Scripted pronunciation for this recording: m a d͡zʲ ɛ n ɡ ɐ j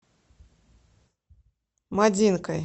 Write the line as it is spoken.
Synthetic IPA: m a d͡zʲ i n k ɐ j